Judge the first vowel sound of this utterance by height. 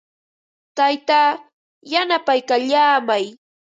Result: low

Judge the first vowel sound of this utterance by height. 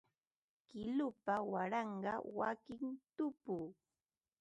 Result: high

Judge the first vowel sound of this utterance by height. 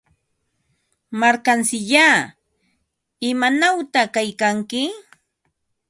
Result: low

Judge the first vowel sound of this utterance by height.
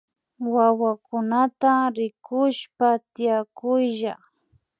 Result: low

